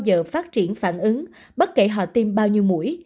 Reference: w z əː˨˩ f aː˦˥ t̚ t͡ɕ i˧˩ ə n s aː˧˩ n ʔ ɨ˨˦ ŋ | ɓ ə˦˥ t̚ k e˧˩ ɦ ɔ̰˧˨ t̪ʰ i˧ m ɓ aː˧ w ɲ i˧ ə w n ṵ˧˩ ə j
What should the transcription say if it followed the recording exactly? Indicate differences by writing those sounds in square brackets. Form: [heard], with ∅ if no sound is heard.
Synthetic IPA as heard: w z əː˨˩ f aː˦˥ t̚ t͡ɕ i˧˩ ə n [f] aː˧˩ n ʔ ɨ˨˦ ŋ | ɓ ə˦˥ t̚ k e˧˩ ɦ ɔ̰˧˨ [t̪] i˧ m ɓ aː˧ w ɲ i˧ ə w [m] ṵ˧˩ ə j